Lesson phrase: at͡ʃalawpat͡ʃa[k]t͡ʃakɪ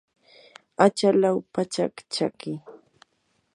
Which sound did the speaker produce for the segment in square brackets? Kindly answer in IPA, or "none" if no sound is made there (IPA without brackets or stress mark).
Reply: k